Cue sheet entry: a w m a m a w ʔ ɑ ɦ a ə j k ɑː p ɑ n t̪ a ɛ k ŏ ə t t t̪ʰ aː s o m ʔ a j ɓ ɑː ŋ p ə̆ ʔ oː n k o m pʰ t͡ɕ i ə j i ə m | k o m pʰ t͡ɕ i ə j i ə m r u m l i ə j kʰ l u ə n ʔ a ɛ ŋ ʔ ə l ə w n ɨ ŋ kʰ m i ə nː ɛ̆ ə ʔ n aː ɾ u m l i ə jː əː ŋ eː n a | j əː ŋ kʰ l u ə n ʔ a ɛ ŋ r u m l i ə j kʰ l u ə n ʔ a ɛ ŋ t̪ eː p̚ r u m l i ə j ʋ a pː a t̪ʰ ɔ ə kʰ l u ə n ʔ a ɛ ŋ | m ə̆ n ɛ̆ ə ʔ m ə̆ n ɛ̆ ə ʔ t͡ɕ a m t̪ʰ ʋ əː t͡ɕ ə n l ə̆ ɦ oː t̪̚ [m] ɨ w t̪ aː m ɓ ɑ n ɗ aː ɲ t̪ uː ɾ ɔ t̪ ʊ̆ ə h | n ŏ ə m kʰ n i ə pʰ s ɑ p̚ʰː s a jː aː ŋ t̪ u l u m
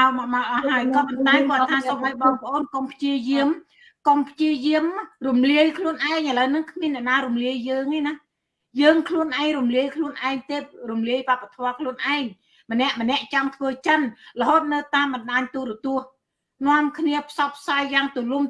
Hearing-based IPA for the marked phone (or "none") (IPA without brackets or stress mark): n